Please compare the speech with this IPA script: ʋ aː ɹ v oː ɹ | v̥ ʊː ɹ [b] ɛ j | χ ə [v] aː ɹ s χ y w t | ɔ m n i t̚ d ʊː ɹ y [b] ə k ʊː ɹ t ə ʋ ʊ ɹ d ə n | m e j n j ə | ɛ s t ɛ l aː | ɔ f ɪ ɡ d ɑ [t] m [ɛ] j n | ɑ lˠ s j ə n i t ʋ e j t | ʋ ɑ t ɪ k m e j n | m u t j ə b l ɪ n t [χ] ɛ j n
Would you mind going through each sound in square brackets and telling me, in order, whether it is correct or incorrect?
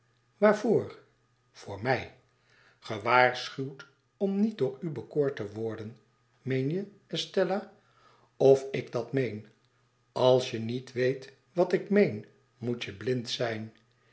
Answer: incorrect, incorrect, correct, correct, incorrect, incorrect

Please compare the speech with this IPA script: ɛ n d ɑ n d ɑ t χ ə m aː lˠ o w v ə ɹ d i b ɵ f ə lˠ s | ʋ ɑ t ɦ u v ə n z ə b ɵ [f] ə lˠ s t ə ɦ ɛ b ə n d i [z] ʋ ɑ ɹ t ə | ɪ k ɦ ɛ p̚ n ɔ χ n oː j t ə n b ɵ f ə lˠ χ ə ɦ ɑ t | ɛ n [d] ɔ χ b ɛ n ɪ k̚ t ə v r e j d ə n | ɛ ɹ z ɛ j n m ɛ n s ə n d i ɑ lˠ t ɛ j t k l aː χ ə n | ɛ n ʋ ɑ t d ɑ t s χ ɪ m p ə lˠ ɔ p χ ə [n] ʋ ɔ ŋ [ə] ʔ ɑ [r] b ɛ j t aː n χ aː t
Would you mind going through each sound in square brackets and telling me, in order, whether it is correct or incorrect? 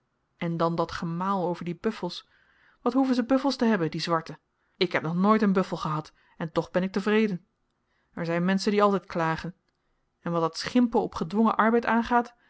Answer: correct, correct, incorrect, incorrect, correct, incorrect

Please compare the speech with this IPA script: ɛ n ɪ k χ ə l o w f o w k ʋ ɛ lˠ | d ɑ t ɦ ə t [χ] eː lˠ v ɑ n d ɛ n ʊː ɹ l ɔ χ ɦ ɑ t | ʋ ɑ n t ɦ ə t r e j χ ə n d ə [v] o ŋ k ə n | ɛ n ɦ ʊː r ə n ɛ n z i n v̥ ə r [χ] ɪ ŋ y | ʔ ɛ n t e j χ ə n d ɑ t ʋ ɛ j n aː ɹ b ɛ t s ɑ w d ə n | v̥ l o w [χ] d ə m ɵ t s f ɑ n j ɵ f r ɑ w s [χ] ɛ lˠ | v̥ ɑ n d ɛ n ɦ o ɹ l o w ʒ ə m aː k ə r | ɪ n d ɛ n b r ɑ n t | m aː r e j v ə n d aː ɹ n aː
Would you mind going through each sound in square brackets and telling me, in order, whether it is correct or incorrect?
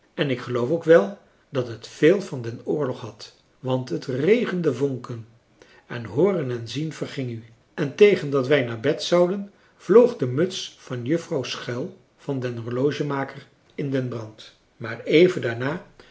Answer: incorrect, correct, correct, correct, correct

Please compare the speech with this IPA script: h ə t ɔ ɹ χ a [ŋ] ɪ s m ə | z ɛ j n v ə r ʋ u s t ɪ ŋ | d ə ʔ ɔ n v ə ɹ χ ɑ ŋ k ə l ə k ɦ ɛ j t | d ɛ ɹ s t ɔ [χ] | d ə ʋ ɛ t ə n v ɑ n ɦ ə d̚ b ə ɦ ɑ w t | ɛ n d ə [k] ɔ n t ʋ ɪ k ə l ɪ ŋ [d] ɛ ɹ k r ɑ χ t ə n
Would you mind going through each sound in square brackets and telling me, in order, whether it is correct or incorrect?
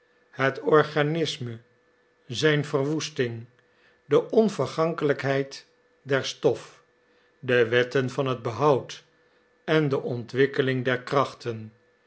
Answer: incorrect, incorrect, incorrect, correct

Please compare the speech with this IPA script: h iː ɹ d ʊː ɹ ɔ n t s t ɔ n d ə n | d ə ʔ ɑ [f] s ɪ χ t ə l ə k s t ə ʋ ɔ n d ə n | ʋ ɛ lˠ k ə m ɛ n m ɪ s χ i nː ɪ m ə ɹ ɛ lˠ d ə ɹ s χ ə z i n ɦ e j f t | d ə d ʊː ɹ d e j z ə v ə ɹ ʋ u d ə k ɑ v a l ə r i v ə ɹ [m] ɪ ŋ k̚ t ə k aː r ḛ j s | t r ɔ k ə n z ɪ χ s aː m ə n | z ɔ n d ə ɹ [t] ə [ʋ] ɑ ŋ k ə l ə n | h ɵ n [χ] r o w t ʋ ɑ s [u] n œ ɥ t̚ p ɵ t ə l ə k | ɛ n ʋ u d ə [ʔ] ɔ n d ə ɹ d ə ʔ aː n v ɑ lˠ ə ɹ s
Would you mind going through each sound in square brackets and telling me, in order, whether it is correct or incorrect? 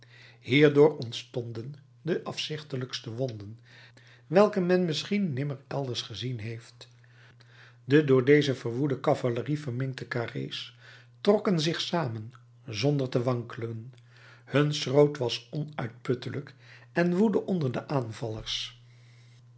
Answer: correct, correct, correct, correct, incorrect, incorrect, correct

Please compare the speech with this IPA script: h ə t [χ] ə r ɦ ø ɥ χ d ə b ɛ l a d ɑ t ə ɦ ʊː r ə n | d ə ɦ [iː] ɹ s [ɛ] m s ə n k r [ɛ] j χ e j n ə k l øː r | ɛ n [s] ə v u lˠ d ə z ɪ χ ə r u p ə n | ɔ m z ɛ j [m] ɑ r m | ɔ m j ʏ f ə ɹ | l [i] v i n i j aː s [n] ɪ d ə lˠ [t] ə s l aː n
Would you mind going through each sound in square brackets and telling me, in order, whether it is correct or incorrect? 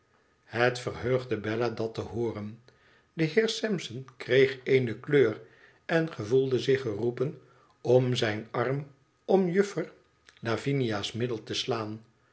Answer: incorrect, incorrect, correct, incorrect, incorrect, incorrect, incorrect, incorrect, correct

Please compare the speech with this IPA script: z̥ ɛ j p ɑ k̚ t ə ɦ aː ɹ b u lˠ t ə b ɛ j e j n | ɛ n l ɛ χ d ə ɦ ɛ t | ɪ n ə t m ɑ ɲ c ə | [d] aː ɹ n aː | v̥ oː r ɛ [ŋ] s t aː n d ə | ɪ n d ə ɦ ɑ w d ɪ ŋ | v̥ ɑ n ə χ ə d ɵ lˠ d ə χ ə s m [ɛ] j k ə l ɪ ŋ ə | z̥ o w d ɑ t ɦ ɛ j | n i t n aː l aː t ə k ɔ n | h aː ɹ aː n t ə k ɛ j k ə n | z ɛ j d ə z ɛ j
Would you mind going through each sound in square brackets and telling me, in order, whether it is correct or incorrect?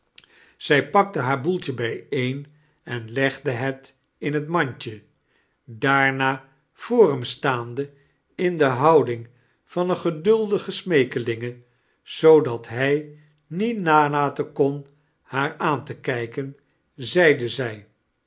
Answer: correct, incorrect, incorrect

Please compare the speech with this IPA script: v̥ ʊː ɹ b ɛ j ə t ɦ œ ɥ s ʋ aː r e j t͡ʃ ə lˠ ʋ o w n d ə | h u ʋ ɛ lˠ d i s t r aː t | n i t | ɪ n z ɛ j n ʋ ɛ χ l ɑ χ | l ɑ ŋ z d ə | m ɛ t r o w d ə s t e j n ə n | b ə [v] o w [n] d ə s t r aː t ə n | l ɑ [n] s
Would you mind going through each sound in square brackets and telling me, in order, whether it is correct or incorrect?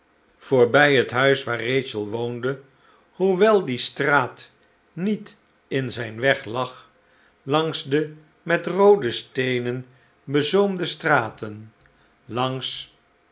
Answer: incorrect, incorrect, incorrect

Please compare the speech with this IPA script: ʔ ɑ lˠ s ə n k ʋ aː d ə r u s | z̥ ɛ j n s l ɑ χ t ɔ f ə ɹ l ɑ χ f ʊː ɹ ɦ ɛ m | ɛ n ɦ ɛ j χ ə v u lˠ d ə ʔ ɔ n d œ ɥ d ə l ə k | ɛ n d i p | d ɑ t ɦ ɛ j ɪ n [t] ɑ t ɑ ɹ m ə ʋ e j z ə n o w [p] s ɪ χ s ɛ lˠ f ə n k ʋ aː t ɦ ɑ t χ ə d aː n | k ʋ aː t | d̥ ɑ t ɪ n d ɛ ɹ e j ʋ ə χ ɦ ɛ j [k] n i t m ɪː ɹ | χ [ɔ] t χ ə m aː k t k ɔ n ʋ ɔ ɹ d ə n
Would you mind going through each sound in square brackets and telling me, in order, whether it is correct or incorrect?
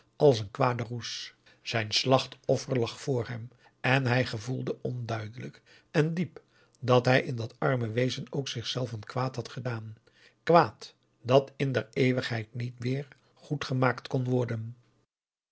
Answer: incorrect, incorrect, incorrect, incorrect

